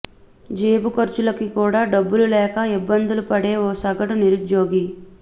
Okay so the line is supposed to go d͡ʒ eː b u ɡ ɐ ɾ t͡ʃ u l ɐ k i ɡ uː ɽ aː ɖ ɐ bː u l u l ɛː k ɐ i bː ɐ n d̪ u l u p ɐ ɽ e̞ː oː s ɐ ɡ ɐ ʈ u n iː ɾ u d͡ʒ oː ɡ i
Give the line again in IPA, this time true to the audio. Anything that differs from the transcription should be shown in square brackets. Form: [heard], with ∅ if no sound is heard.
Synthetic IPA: d͡ʒ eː b u [k] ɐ ɾ t͡ʃ u l ɐ k i [k] uː ɽ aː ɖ ɐ bː u l u l ɛː k ɐ i bː ɐ n d̪ u l u p ɐ ɽ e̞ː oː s ɐ ɡ ɐ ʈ u n [i] ɾ u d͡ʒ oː ɡ i